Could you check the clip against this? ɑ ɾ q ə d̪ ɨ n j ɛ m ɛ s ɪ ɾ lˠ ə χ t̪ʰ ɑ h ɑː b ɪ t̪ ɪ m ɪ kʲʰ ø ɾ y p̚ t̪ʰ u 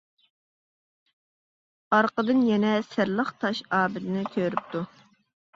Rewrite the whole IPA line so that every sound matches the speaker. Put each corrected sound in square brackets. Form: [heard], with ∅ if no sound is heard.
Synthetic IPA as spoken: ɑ ɾ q ə d̪ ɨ n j ɛ [n] ɛ s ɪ ɾ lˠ ə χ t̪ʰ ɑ [ʃ] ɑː b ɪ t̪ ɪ [n] ɪ kʲʰ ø ɾ y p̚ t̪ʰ u